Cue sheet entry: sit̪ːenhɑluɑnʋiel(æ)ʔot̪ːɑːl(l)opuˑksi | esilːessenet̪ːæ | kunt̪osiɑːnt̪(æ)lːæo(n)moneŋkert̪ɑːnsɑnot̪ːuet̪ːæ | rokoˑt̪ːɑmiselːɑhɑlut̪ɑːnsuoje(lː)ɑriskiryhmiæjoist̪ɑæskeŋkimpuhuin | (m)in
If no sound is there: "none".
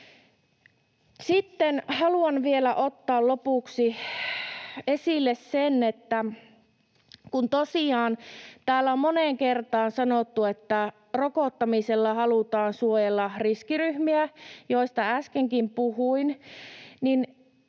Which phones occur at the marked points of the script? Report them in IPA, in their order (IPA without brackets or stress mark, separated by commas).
æ, l, æː, m, lː, n